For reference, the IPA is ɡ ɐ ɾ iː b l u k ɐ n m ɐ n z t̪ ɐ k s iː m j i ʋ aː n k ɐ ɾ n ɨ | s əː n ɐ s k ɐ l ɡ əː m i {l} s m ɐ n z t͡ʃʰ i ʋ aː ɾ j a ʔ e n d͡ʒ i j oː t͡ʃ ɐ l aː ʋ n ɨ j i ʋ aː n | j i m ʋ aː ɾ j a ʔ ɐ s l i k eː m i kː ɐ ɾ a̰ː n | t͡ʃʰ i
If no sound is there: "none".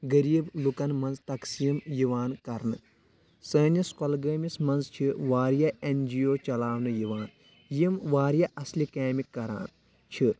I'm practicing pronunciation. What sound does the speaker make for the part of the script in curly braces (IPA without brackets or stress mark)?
none